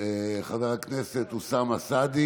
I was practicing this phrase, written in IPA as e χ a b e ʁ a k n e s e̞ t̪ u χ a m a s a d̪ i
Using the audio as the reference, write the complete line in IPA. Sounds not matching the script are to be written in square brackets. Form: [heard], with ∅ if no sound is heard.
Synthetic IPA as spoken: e χ a [v] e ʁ a k n e s e̞ t̪ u [s] a m a s a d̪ i